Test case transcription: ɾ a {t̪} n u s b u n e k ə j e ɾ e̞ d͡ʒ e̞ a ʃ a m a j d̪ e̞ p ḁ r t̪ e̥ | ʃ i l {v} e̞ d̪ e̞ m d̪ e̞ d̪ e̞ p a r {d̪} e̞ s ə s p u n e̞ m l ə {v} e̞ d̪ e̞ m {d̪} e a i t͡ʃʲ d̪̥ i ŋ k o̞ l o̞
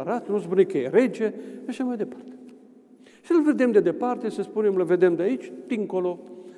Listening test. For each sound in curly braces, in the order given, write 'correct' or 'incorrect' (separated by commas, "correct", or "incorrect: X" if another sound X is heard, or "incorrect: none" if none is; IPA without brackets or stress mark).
correct, correct, incorrect: t̪, correct, correct